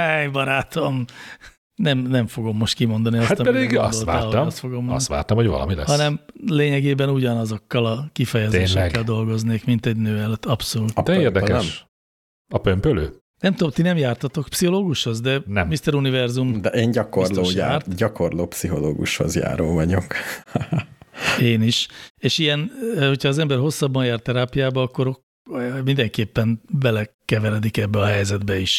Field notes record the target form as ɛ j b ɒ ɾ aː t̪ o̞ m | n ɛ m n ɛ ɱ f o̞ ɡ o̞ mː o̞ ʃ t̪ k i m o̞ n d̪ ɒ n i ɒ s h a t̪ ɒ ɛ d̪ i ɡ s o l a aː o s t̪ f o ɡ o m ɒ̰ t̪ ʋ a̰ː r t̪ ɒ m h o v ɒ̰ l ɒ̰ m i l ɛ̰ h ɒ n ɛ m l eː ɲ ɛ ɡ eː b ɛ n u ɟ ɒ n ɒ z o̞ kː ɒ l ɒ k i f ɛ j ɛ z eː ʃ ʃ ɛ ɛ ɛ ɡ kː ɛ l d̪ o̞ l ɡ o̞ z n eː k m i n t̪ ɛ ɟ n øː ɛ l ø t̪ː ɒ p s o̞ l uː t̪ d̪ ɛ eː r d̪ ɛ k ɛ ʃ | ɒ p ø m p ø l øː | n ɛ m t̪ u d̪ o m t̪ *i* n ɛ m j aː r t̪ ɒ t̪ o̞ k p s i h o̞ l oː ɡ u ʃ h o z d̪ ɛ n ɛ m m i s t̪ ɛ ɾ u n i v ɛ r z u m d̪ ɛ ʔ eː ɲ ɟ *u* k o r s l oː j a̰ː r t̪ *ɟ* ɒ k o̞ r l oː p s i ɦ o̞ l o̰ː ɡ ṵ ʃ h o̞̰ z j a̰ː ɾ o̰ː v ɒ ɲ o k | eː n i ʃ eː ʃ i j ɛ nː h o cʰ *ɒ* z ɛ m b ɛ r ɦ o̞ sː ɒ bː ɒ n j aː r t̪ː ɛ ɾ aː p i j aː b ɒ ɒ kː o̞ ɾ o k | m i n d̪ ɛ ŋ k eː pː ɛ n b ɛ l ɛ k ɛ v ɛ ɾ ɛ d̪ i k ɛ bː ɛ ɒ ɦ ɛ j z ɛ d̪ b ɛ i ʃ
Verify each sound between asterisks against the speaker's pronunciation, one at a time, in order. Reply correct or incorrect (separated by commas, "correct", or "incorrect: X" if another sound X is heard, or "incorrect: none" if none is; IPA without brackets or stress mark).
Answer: correct, incorrect: ɒ, correct, incorrect: ɒː